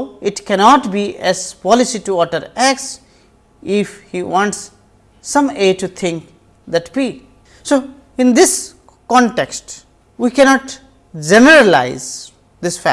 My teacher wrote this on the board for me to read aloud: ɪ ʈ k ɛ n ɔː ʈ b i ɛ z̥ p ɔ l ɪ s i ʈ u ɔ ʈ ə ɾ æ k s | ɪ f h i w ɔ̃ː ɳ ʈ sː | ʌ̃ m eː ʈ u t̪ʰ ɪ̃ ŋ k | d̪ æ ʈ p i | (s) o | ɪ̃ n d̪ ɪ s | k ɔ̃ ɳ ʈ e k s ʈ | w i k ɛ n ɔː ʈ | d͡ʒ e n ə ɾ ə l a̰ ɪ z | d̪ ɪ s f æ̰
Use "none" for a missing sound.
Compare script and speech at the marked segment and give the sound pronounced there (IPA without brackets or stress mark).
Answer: s